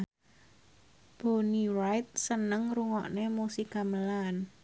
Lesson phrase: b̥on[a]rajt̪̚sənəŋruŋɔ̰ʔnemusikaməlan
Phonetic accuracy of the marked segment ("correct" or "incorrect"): incorrect